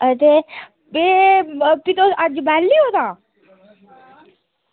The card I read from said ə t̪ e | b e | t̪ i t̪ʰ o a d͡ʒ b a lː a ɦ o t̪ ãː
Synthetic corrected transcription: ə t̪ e | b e | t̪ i t̪ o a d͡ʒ b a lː i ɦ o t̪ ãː